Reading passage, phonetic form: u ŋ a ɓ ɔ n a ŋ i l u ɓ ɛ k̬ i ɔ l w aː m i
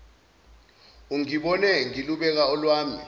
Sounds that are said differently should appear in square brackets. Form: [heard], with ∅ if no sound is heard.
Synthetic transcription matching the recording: u ŋ [i] ɓ ɔ n [ɛ] ŋ i l u ɓ ɛ k̬ [a] ɔ l w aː m i